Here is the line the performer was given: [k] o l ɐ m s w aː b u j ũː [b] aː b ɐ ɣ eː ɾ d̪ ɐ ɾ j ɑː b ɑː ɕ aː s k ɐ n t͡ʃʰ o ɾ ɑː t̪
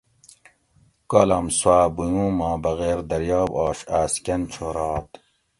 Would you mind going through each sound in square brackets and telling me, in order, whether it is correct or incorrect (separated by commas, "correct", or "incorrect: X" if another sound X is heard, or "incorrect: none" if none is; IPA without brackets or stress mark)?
correct, incorrect: m